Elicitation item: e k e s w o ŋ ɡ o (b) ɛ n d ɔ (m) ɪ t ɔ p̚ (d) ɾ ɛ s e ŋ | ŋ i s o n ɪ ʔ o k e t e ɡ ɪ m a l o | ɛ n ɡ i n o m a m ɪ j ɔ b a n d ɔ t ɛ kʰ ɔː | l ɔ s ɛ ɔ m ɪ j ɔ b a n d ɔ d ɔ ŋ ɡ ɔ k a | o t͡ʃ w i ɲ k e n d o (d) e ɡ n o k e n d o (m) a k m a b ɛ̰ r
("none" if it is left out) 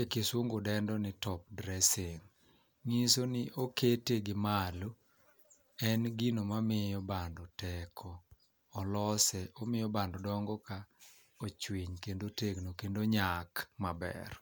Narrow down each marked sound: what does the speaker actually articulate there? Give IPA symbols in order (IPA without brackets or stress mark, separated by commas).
d, n, d, t, ɲ